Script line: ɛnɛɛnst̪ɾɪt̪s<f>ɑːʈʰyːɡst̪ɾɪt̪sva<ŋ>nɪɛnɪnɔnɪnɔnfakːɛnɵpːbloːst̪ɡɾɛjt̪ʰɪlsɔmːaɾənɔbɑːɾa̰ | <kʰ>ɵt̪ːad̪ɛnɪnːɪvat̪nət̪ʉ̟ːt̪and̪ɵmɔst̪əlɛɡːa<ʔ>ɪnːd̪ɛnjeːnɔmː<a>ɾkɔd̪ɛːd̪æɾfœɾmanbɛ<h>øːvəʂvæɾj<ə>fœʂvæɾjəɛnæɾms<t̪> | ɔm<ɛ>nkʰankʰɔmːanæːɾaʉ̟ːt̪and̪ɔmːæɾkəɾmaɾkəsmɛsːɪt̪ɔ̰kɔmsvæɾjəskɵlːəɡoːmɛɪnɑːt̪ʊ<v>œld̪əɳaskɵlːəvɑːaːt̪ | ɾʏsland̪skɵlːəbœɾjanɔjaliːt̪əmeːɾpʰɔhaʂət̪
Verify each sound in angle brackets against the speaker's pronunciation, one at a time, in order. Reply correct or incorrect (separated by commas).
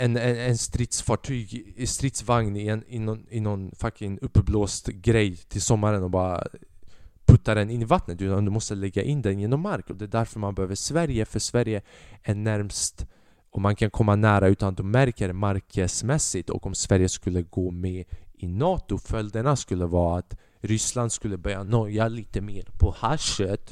correct, correct, incorrect, correct, correct, correct, correct, correct, incorrect, incorrect